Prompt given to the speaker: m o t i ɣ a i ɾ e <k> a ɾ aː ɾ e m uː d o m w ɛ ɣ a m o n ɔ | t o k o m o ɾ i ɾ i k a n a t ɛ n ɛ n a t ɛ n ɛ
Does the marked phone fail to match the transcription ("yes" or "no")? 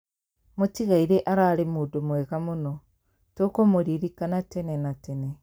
yes